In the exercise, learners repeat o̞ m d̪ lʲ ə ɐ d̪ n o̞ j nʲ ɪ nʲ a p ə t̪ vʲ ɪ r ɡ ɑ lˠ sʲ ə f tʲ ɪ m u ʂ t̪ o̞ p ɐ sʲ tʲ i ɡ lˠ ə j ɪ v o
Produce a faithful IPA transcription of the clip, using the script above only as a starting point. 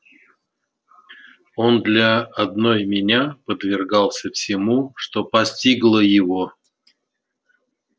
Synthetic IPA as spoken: o̞ n d̪ lʲ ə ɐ d̪ n o̞ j mʲ ɪ nʲ a p ə d̪ vʲ ɪ r ɡ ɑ lˠ sʲ ə f sʲ ɪ m u ʂ t̪ o̞ p ɐ sʲ tʲ i ɡ lˠ ə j ɪ v o

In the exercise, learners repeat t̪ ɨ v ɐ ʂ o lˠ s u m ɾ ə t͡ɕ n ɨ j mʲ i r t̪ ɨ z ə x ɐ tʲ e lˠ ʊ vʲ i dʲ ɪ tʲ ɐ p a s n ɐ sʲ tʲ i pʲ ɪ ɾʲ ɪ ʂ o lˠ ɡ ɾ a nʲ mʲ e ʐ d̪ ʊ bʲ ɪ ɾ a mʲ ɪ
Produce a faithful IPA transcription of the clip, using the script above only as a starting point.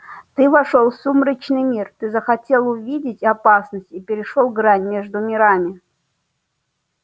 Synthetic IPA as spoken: t̪ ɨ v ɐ ʂ o lˠ s u m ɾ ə t͡ɕ n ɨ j mʲ i r t̪ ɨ z ə x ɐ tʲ e lˠ ʊ vʲ i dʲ ɪ tʲ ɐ p a s n ə sʲ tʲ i pʲ ɪ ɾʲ ɪ ʂ o lˠ ɡ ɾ a nʲ mʲ e ʐ d̪ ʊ mʲ ɪ ɾ a mʲ ɪ

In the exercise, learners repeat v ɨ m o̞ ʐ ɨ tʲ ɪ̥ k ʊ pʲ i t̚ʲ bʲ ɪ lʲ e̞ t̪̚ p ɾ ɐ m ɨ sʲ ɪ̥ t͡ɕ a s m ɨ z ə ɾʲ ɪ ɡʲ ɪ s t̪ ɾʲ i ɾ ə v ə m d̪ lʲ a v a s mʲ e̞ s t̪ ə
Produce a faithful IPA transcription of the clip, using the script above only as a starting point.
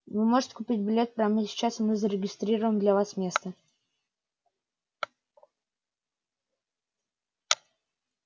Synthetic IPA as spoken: v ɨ m o̞ ʐ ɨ tʲ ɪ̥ k ʊ pʲ i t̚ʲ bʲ ɪ lʲ e̞ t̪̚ p ɾ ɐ m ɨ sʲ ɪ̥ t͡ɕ a s m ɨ z ə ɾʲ ɪ ɡʲ ɪ s t̪ ɾʲ i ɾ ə v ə m d̪ lʲ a v a s mʲ e̞ s t̪ ə

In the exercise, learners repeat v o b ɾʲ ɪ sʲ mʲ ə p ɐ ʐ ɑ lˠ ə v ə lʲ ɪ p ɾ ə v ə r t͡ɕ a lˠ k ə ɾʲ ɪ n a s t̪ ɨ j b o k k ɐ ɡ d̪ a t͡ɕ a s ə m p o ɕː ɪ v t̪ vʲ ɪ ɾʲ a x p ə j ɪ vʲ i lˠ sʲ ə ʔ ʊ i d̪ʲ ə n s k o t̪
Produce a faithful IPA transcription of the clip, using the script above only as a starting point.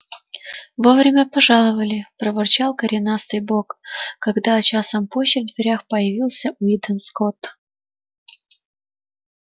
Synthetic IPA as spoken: v o v ɾʲ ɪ mʲ ə p ɐ ʐ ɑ lˠ ə v ə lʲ ɪ p ɾ ə v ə r t͡ɕ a lˠ k ə ɾʲ ɪ n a s t̪ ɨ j b o k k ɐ ɡ d̪ a t͡ɕ a s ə m p o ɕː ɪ v d̪ vʲ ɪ ɾʲ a x p ə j ɪ vʲ i lˠ sʲ ə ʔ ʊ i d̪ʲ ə n s k o t̪

